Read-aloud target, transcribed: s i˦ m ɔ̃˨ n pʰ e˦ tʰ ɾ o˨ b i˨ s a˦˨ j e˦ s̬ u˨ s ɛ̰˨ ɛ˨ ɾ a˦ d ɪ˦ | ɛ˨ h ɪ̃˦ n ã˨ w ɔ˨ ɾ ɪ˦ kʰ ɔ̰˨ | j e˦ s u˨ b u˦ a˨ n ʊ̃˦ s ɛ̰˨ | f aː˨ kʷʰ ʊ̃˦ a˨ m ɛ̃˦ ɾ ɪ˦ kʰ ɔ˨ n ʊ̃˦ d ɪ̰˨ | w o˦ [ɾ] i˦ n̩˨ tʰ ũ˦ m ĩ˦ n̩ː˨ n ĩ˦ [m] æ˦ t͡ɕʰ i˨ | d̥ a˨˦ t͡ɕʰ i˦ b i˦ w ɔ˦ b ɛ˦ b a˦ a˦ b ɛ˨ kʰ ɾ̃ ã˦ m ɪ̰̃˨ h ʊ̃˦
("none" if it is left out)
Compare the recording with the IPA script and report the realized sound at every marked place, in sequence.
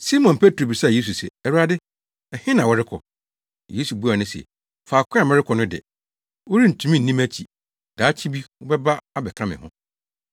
ɾ, m

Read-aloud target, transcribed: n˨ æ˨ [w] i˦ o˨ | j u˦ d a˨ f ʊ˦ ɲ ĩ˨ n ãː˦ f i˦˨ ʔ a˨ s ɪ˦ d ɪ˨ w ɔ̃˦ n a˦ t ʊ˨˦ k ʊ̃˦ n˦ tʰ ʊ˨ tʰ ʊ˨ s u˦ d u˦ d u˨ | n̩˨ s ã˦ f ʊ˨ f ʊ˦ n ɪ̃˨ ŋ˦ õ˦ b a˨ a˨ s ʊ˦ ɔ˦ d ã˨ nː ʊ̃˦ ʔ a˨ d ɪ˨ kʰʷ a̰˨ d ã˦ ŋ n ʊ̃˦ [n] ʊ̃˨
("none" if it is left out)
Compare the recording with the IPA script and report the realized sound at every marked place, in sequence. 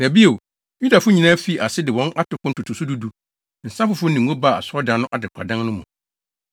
b, m

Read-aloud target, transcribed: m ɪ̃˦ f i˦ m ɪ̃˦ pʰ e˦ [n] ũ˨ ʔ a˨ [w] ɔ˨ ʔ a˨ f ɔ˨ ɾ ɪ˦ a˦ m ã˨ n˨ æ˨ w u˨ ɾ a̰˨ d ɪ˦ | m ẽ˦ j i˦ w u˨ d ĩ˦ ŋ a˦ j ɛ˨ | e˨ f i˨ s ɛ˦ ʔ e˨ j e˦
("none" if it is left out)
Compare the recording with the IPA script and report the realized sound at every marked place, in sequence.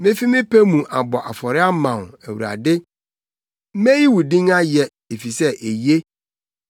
m, b

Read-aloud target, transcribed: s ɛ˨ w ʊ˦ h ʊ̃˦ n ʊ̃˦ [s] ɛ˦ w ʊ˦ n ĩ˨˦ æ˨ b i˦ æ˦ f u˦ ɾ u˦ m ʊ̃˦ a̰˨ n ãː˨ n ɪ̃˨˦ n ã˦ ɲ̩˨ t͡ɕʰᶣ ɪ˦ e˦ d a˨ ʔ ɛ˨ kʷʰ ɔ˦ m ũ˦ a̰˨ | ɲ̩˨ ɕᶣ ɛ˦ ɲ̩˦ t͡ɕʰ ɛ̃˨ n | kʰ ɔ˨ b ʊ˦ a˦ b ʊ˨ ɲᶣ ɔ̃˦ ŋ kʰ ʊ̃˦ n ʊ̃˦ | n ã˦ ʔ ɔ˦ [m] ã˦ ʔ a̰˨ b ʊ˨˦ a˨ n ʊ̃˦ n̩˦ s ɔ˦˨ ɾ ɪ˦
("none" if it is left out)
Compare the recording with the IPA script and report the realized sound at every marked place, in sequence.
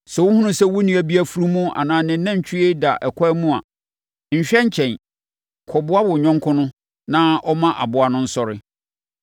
s, m

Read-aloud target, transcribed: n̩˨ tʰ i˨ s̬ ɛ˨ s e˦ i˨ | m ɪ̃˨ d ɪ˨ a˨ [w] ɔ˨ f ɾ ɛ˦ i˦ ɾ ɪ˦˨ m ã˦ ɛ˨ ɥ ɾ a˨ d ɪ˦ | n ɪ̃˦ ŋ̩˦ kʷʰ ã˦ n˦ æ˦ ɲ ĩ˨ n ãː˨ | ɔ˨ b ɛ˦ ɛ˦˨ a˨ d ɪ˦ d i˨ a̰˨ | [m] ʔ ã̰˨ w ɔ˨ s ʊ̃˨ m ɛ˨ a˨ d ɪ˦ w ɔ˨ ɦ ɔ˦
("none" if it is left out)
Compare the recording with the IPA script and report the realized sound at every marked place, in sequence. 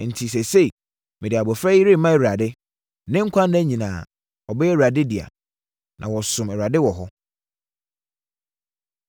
b, n

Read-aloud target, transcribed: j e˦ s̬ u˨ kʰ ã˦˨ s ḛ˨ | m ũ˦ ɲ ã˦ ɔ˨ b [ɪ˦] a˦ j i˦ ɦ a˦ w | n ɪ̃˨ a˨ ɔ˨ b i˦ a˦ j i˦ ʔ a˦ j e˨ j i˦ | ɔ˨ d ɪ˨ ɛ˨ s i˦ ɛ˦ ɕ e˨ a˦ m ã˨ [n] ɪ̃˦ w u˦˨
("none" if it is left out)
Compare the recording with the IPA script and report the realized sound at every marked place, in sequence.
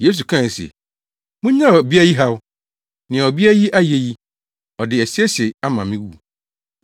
i˦, m

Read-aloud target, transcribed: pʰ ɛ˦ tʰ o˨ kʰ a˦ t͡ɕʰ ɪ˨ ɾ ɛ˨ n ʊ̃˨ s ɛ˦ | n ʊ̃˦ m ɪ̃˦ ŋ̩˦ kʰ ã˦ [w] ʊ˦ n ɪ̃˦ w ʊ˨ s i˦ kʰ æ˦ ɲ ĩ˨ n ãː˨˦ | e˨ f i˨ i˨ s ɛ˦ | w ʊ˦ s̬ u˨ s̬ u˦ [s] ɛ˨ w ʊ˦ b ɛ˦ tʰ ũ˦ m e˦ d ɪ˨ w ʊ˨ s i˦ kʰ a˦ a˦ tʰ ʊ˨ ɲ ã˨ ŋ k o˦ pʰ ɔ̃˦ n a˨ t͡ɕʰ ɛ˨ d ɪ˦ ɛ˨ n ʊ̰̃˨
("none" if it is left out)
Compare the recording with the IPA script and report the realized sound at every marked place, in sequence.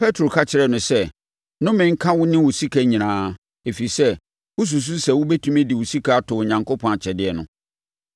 w, s

